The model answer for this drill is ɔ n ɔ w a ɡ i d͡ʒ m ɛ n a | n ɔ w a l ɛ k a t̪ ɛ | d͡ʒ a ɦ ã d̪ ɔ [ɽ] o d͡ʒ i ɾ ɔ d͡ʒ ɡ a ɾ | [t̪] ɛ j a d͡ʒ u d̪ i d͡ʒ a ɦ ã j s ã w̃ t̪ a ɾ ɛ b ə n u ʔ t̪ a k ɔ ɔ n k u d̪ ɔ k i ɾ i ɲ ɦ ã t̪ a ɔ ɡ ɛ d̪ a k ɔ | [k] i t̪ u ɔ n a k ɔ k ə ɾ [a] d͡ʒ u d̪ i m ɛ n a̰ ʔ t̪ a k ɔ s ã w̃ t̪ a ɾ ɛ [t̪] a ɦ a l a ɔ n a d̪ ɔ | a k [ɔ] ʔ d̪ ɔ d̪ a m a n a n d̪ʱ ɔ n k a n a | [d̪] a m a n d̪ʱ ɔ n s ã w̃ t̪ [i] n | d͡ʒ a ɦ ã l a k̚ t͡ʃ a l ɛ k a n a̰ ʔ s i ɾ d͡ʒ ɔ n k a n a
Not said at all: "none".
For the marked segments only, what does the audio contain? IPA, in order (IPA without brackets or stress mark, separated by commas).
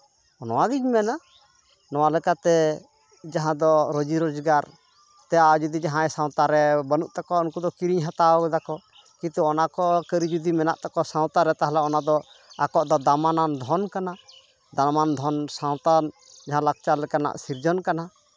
ɾ, t̪, k, i, t̪, ɔ, d̪, a